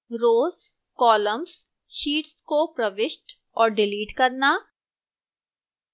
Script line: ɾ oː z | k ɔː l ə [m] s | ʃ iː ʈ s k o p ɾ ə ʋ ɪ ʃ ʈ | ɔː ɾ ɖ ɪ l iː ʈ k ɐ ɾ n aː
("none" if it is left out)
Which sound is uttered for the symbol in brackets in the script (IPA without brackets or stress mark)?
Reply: m